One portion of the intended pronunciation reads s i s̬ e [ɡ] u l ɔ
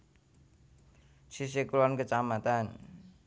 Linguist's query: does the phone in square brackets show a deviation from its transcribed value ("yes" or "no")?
yes